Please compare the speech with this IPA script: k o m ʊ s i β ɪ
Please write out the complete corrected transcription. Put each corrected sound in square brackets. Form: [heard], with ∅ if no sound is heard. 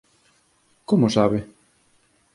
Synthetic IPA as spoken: k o m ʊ s [a] β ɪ